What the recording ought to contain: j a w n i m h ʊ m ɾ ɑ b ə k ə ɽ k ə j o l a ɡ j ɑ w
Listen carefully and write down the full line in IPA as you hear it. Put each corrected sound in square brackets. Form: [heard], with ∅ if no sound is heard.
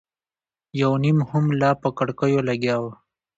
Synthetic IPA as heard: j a w n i m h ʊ m [l] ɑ [p] ə k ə ɽ k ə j o l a ɡ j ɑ w